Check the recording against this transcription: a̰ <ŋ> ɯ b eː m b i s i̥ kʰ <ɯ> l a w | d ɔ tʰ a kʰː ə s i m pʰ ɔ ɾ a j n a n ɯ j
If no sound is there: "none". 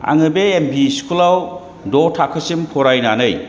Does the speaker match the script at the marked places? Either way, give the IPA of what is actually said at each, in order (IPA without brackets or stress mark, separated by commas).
ŋ, u